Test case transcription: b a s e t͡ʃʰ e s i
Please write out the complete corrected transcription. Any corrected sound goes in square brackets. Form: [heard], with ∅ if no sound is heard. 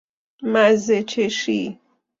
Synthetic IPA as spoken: [m] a [z] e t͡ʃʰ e [ʃ] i